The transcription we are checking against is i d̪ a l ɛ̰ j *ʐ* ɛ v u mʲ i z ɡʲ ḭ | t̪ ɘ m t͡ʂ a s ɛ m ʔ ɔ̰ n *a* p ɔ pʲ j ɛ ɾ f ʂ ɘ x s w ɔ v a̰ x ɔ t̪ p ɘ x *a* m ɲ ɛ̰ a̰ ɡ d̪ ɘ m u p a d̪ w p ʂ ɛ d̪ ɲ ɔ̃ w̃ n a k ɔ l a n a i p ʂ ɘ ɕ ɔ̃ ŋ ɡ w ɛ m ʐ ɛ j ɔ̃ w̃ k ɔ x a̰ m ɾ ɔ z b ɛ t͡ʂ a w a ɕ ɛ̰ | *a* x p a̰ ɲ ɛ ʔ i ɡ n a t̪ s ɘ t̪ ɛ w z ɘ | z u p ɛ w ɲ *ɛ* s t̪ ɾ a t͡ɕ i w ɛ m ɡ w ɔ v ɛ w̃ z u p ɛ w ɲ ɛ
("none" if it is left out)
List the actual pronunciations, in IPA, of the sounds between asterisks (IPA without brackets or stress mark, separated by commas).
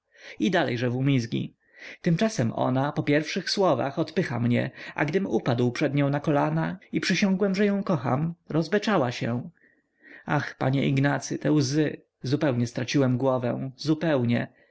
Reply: ʐ, a, a, a, ɛ